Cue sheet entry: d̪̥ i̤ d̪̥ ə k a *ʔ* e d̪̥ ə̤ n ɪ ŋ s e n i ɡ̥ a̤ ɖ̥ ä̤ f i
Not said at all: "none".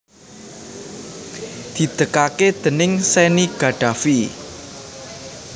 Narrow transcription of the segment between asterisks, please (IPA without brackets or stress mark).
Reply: k